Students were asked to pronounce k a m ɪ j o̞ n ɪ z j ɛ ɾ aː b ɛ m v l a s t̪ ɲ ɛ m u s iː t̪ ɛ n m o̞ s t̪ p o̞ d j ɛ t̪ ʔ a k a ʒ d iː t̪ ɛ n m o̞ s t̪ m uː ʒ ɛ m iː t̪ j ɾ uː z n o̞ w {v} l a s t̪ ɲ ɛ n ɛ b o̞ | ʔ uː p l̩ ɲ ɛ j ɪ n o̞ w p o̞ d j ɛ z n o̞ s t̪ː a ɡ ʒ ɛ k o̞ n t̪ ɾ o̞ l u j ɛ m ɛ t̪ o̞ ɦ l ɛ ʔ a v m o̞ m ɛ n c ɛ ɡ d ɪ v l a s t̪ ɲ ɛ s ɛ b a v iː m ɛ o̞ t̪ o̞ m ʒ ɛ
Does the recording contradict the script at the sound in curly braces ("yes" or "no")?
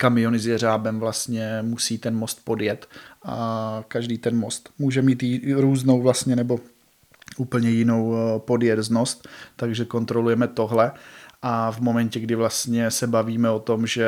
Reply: no